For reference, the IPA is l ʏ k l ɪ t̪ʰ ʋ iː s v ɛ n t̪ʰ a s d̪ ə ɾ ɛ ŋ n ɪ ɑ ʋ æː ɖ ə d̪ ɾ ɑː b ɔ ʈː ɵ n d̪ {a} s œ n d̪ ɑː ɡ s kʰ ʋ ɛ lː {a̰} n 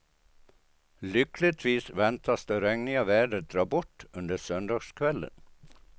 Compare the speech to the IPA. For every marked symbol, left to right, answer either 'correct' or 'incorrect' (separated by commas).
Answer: incorrect, incorrect